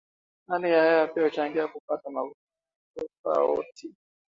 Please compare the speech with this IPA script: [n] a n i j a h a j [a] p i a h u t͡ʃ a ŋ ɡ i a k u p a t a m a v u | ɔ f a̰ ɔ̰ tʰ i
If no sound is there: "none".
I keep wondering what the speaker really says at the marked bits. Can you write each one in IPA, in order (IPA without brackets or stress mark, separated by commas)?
n, a